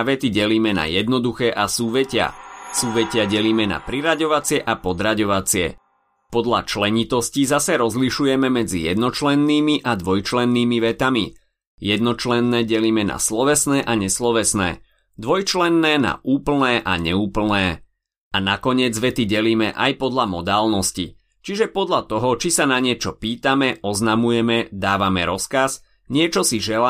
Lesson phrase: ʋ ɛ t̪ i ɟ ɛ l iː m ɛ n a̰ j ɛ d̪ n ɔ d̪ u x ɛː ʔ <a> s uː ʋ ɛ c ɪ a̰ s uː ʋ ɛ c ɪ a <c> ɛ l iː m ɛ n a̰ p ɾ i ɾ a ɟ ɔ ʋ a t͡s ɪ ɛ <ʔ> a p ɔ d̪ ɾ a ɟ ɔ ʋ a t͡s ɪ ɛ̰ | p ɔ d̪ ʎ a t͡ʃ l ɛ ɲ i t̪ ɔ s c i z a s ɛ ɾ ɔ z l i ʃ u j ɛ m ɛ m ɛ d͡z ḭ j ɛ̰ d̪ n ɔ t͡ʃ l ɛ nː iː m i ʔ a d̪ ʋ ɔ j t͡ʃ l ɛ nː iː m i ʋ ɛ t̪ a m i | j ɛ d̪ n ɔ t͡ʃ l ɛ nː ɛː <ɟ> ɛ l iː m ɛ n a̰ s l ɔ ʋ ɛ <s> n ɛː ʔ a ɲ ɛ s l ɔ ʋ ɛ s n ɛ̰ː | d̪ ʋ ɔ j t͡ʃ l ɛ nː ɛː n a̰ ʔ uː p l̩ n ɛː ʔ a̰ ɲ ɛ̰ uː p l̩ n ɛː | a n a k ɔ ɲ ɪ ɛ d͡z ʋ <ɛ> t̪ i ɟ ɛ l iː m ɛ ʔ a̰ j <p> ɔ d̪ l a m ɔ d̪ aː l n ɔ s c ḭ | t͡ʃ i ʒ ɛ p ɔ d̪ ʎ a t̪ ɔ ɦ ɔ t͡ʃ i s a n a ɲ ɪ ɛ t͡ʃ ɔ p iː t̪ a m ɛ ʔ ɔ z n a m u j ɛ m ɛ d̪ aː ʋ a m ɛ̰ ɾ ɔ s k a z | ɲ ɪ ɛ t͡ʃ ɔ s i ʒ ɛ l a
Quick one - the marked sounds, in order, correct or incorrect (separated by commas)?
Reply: correct, incorrect, correct, correct, correct, correct, correct